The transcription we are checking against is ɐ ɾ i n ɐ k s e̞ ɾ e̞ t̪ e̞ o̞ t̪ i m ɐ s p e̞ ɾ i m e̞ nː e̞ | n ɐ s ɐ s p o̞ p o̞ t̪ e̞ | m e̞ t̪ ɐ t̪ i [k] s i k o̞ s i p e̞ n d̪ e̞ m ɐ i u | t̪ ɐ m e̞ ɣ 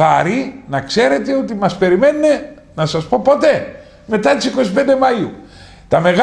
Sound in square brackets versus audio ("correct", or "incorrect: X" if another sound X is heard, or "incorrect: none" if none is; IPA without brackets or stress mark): incorrect: none